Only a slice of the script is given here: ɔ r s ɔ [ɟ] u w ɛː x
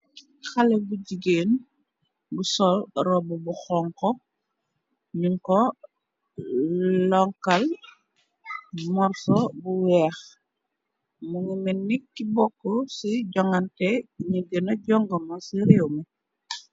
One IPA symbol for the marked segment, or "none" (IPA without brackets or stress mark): b